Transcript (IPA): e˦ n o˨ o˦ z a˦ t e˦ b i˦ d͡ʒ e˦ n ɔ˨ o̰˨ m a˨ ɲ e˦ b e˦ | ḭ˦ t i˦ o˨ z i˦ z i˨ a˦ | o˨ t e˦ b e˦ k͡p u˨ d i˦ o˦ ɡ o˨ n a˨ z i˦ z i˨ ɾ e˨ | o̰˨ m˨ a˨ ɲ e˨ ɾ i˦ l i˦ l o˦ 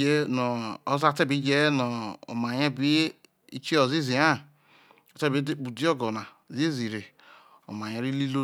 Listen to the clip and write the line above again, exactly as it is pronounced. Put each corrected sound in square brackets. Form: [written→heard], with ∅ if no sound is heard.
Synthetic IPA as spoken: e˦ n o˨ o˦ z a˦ t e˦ b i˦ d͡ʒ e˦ n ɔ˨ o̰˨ m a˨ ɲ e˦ b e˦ | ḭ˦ [t→t͡ʃ] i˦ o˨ z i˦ z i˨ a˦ | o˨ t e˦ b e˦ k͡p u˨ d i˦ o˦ ɡ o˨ n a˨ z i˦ z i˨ ɾ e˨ | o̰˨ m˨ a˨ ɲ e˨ ɾ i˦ l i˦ l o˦